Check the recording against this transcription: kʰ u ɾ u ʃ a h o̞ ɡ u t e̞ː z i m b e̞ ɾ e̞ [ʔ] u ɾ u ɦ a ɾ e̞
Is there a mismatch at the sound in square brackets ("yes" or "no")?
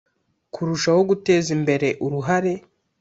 no